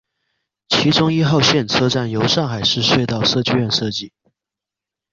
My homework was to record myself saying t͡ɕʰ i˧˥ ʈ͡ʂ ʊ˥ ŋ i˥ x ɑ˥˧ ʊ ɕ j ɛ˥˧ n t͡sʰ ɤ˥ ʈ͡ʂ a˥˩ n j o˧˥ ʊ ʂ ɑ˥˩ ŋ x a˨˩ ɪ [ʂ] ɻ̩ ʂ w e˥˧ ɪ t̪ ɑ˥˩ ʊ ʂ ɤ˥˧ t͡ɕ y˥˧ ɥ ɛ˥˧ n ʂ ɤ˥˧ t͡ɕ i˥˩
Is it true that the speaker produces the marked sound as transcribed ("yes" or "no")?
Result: yes